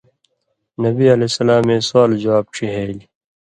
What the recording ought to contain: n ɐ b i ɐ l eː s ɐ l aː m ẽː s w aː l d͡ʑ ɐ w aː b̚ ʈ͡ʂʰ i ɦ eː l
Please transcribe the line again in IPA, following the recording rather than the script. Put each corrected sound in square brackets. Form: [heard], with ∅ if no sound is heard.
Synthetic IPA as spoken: n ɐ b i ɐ l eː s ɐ l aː m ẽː s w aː l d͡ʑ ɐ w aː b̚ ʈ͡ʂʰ i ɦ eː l